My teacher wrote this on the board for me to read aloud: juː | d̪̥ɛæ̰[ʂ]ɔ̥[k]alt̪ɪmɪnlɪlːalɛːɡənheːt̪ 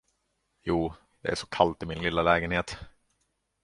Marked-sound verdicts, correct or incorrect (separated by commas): correct, incorrect